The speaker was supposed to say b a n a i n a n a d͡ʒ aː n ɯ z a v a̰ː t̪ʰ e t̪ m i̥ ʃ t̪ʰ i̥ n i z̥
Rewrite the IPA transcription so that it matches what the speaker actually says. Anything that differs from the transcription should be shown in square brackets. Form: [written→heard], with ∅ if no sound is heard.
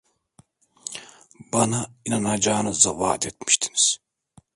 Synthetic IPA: b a n a i n a n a d͡ʒ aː n ɯ z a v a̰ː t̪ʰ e t̪ m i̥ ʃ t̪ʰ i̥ n i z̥